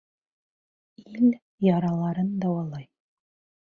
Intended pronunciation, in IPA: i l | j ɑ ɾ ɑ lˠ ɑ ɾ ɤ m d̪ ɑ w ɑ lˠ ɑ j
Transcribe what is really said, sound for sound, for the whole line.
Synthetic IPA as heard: i l | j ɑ ɾ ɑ lˠ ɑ ɾ ɤ n d̪ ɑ w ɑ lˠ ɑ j